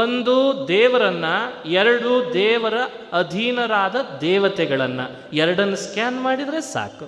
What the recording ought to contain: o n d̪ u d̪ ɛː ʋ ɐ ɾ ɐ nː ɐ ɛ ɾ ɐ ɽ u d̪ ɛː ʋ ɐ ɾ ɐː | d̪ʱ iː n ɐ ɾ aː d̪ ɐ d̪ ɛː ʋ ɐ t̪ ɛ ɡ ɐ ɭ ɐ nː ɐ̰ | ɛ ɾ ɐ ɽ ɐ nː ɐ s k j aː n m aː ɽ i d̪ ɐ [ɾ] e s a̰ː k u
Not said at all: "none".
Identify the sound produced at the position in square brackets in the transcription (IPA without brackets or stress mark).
ɾ